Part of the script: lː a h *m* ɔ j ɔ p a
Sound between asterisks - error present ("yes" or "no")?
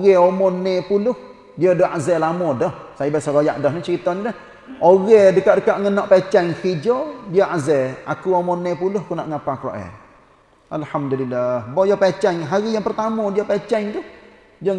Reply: yes